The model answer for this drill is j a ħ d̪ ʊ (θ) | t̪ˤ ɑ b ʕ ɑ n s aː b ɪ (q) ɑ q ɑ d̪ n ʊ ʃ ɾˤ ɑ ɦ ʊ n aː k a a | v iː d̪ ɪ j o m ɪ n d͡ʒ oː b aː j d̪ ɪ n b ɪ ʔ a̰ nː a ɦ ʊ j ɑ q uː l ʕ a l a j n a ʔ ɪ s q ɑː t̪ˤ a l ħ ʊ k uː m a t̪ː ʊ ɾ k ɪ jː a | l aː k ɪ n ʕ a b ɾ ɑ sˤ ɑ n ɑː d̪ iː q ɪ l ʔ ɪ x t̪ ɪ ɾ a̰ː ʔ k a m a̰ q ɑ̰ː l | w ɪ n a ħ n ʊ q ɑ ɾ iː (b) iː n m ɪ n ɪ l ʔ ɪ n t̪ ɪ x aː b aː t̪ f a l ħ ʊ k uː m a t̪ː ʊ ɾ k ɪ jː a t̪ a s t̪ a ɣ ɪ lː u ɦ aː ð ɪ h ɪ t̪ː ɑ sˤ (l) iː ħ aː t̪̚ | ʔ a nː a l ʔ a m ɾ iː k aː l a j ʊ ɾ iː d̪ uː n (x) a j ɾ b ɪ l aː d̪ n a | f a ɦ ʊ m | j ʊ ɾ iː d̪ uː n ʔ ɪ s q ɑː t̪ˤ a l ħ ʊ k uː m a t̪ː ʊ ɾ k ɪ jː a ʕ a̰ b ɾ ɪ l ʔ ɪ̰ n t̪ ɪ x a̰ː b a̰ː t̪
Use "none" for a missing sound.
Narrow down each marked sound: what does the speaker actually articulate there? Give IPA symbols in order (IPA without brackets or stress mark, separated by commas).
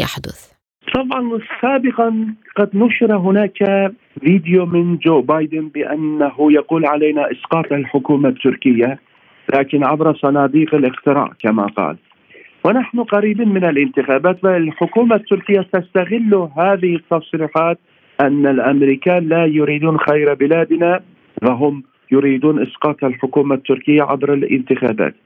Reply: θ, q, b, ɾ, x